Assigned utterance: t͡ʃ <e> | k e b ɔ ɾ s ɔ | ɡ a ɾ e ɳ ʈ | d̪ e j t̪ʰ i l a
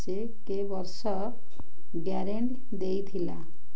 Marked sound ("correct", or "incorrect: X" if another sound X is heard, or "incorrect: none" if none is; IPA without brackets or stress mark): correct